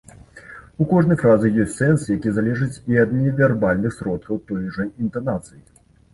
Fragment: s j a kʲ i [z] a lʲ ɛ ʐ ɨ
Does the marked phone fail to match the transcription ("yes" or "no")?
no